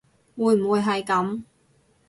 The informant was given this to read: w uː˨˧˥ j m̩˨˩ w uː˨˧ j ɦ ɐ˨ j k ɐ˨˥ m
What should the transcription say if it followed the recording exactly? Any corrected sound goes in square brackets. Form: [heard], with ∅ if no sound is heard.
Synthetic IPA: w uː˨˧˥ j m̩˨˩ w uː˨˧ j ɦ ɐ˨ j k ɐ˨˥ m

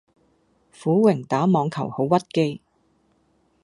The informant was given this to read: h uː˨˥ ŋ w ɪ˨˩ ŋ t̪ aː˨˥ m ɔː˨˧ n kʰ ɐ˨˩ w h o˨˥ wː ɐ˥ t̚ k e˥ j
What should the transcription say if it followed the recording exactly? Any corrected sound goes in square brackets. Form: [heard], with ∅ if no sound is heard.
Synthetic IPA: [f] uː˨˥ [∅] w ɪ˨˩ ŋ t̪ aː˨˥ m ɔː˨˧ [ŋ] kʰ ɐ˨˩ w h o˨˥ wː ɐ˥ t̚ k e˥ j

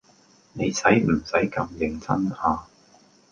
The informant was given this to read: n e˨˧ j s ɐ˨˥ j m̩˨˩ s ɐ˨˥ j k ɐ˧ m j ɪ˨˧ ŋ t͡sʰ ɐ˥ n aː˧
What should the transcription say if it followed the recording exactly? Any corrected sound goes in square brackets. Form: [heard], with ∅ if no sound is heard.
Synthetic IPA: n e˨˧ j s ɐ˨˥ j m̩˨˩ s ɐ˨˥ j k ɐ˧ m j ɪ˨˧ ŋ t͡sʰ ɐ˥ n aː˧

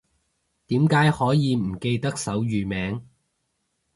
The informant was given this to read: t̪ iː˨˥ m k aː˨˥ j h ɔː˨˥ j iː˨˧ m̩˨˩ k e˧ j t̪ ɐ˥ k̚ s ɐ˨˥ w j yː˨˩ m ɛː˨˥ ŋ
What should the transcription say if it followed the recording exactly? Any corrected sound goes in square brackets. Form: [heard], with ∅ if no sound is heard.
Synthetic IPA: t̪ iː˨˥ m k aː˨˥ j h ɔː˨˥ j iː˨˧ m̩˨˩ k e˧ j t̪ ɐ˥ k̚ s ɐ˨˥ w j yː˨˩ m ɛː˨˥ ŋ

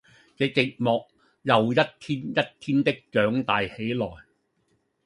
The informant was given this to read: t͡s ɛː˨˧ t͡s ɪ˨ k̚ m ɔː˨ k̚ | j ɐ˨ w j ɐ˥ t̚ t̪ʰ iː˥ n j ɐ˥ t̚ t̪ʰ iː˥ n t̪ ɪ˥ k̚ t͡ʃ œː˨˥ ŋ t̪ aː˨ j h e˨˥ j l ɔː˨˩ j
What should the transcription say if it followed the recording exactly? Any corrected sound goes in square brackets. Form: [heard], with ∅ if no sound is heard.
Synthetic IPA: t͡s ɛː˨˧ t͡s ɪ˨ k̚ m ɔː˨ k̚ | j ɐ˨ w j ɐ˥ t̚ t̪ʰ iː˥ n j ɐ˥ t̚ t̪ʰ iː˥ n t̪ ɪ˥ k̚ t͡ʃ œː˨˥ ŋ t̪ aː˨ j h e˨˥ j l ɔː˨˩ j

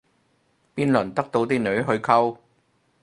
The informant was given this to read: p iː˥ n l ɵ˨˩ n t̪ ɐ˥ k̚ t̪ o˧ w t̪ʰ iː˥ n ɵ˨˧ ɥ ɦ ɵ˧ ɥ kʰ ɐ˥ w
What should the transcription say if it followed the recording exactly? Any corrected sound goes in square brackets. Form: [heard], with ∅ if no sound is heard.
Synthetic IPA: p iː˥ n l ɵ˨˩ n t̪ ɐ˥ k̚ t̪ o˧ w [t̪] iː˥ n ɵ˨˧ ɥ ɦ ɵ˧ ɥ kʰ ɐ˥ w

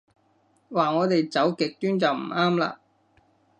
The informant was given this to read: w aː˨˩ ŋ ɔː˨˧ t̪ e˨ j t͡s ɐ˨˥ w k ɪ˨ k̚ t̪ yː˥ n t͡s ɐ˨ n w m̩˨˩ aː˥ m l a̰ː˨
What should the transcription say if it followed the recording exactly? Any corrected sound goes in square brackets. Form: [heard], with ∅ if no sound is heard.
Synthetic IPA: w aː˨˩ ŋ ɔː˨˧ t̪ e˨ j t͡s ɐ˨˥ w k ɪ˨ k̚ t̪ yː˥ n t͡s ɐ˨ [∅] w m̩˨˩ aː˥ m l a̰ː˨

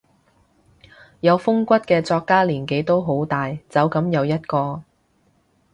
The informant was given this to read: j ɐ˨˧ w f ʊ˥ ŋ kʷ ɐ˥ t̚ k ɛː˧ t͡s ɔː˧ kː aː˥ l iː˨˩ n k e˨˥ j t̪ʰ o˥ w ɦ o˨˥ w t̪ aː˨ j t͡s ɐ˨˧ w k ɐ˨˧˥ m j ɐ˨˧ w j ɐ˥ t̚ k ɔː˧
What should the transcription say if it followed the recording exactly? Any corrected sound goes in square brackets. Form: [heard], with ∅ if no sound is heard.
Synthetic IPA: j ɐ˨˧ w f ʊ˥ ŋ kʷ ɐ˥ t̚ k ɛː˧ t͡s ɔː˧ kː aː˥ l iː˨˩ n k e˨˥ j [t̪] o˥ w ɦ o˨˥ w t̪ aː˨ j t͡s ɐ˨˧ w k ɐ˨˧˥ m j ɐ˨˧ w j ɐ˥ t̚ k ɔː˧

